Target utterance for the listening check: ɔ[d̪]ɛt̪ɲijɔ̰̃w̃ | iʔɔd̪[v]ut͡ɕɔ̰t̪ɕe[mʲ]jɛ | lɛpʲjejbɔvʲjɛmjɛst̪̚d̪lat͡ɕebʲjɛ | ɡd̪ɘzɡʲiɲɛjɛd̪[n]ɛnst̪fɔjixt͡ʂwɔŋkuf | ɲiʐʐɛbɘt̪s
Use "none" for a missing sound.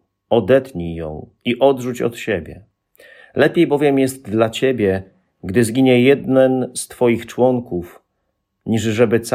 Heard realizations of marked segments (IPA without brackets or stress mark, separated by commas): d̪, ʐ, bʲ, n